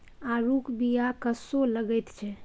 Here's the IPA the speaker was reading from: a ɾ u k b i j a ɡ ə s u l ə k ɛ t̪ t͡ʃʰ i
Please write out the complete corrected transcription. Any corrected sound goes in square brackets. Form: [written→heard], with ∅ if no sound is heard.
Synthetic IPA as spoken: a ɾ u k b i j a [ɡ→k] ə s [u→o] l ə [k→ɡ] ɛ t̪ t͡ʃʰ [i→ɛ]